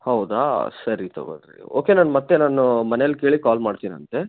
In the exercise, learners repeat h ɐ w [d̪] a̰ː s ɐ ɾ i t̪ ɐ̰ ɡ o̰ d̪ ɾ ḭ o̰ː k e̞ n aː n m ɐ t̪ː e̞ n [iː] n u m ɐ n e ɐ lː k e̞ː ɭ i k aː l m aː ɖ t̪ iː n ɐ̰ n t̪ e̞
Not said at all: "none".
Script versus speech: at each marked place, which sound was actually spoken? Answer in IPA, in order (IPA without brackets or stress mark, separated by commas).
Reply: d̪, aː